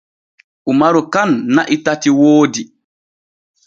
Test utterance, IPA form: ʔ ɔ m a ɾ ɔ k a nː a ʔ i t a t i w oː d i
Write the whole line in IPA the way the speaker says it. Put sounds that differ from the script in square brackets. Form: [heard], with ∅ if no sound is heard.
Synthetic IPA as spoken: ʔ [u] m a ɾ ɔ k a nː a ʔ i t a t i w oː d i